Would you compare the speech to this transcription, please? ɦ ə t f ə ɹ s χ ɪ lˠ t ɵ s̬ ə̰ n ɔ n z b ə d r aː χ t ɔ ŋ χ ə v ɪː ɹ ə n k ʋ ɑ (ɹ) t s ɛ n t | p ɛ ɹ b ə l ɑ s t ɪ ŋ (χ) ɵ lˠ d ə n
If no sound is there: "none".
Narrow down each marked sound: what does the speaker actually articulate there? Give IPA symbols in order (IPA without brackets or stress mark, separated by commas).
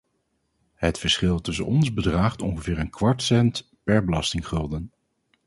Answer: ɹ, χ